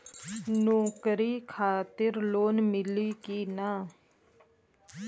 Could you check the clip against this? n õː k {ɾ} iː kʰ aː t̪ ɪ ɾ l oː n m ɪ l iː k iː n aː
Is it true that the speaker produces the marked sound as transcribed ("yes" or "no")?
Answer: yes